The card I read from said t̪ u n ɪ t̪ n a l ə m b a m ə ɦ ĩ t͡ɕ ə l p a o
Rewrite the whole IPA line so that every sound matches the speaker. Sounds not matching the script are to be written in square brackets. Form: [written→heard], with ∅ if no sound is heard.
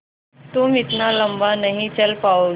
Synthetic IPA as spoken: t̪ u [n→m] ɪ t̪ n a l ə m b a [m→n] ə ɦ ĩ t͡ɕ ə l p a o